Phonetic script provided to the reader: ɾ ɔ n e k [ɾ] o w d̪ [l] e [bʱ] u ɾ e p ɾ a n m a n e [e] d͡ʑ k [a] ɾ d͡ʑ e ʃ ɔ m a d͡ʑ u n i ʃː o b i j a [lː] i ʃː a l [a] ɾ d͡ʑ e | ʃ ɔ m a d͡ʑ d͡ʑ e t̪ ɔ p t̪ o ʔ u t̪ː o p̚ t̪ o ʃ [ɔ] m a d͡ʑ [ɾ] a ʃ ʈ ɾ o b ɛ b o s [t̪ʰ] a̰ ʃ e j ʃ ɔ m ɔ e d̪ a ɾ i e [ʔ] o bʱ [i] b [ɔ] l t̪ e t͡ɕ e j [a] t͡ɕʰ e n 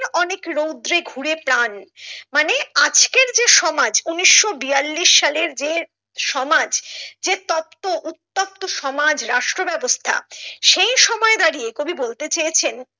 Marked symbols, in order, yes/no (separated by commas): yes, no, no, no, no, yes, no, yes, yes, yes, no, yes, no, no